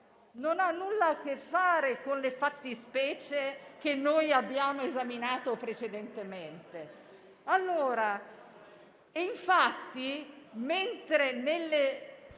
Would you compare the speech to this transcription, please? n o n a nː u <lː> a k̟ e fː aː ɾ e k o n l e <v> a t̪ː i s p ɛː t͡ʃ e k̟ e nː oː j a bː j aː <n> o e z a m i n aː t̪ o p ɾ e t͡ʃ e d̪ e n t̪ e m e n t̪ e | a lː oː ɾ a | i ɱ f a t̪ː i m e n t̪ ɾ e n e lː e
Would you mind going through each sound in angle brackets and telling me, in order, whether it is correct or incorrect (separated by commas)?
correct, incorrect, incorrect